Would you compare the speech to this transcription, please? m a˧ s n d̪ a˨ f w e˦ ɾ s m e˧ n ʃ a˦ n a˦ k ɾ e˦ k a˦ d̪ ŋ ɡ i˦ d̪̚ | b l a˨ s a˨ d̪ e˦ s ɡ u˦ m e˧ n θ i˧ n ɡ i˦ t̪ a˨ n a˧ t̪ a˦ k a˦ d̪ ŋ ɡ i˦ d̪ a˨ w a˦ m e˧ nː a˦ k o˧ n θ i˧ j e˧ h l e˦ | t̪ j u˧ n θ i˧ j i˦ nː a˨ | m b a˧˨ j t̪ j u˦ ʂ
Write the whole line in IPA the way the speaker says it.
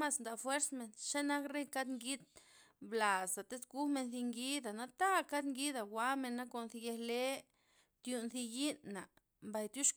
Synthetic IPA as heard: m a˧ s n d̪ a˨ f w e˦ ɾ s m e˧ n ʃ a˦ n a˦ k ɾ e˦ k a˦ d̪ ŋ ɡ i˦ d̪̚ | b l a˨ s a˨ t̪ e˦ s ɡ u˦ m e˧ n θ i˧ ŋ ɡ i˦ d̪ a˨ n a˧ t̪ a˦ k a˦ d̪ ŋ ɡ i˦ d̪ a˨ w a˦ m e˧ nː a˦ k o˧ n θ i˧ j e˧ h l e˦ | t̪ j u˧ n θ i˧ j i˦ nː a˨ | m b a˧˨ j t̪ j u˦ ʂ